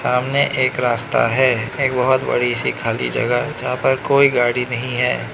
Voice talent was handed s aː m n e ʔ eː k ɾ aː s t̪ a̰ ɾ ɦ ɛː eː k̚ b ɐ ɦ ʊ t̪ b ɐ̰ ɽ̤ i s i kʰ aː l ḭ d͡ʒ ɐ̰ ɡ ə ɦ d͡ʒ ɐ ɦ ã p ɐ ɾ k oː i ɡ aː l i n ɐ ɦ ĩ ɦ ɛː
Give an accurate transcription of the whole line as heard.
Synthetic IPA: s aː m n e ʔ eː k ɾ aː s t̪ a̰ ɦ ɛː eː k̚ b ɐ ɦ ʊ t̪ b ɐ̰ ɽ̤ i s i kʰ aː l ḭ d͡ʒ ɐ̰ ɡ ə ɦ d͡ʒ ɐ ɦ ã p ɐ ɾ k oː i ɡ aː ɽ i n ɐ ɦ ĩ ɦ ɛː